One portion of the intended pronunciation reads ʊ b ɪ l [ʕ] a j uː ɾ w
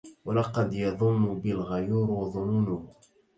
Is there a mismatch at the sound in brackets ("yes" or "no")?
yes